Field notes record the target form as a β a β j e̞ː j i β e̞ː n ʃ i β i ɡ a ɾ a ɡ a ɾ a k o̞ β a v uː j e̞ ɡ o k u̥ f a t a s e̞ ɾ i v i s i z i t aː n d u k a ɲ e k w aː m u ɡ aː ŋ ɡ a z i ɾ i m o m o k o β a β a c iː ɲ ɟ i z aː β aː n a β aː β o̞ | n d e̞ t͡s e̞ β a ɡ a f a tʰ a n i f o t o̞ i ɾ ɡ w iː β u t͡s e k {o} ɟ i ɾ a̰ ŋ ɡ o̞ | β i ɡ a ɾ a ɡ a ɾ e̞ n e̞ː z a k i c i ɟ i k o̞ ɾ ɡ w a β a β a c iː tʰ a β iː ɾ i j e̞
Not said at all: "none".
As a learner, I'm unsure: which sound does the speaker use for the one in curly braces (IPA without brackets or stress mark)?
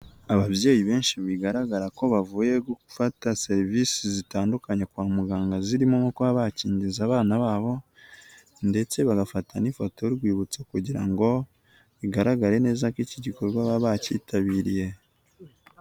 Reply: u